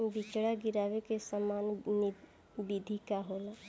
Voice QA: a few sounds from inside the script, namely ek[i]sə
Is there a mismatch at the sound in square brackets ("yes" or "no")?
yes